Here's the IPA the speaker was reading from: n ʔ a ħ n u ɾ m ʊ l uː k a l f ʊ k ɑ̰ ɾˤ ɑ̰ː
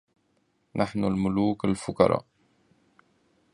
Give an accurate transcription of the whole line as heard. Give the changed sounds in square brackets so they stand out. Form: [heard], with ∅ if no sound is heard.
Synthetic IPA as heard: n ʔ a ħ n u [l] m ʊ l uː k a l f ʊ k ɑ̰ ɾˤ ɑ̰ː